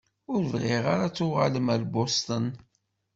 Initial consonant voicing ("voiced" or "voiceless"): voiced